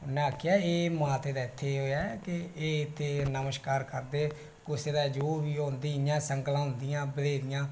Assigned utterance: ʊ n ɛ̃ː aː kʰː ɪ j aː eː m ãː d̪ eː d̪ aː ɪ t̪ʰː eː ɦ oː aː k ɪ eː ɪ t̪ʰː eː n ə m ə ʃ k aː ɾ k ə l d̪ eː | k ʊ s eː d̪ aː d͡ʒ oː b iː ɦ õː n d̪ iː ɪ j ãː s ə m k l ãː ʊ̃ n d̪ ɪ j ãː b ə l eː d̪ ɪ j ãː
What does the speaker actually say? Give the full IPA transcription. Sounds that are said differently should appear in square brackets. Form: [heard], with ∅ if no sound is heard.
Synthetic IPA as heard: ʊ n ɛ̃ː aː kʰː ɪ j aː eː m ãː [t̪] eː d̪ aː ɪ t̪ʰː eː ɦ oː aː k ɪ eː ɪ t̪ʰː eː n ə m ə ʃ k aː ɾ k ə [ɾ] d̪ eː | k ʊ s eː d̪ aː d͡ʒ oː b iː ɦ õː n d̪ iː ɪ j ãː s ə [ŋ] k l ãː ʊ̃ n d̪ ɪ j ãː b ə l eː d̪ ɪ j ãː